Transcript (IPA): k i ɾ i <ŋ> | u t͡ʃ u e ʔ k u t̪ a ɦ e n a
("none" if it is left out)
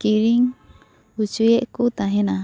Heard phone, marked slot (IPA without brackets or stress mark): ŋ